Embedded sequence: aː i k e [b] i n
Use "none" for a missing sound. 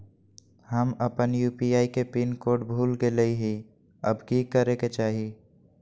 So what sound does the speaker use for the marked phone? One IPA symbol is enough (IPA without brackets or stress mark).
p